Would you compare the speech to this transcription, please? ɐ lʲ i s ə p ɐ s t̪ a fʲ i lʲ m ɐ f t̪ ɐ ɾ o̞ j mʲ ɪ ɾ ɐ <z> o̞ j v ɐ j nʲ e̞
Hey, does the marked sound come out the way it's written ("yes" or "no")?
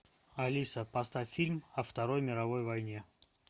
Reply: no